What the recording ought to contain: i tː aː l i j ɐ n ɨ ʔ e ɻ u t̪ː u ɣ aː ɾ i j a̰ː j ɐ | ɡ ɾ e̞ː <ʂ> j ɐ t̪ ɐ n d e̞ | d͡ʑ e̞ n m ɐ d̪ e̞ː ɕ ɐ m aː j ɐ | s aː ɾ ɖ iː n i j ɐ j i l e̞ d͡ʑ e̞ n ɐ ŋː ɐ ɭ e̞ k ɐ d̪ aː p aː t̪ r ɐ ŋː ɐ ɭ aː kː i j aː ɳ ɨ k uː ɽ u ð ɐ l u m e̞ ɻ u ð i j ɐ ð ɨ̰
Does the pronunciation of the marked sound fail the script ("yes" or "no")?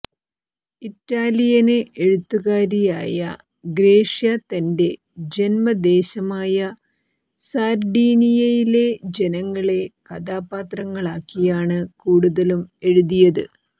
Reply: no